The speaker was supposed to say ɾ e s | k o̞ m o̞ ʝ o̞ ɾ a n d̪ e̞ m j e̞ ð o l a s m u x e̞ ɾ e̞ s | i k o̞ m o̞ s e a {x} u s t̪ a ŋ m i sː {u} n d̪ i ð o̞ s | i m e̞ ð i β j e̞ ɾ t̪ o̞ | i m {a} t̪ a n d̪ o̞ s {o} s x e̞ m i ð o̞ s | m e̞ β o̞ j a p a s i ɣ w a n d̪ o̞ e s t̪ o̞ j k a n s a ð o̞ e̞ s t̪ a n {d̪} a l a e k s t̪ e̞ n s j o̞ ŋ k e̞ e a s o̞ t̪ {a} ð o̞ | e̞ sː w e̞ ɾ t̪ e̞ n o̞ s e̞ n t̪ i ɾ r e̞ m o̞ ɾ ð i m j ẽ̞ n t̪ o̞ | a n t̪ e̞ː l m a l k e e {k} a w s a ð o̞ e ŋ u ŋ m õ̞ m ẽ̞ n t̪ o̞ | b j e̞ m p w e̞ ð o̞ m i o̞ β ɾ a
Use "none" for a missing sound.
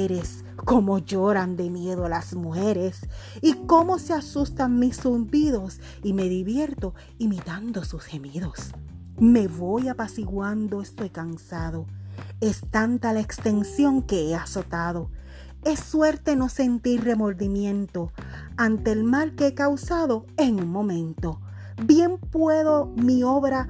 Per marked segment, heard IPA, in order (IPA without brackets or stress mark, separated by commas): s, u, i, u, t̪, a, k